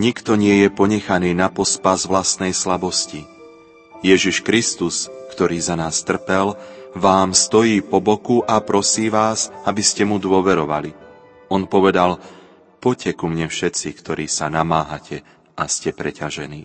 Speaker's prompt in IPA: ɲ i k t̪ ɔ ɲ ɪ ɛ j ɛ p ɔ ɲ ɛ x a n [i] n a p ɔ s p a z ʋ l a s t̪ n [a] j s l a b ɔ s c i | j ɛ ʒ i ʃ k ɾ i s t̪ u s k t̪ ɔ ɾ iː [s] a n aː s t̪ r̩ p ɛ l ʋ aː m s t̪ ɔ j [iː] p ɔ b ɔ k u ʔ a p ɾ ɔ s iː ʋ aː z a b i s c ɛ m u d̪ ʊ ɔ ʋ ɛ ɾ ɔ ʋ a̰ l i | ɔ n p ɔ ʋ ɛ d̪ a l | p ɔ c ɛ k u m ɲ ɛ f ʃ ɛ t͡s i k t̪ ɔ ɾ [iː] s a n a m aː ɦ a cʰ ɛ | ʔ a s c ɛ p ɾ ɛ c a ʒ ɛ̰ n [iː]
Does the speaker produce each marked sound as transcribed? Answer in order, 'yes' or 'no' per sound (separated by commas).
no, no, no, yes, yes, yes